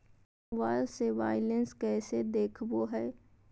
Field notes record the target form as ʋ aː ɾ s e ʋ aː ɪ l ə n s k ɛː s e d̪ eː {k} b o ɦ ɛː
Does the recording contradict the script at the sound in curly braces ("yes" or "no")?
yes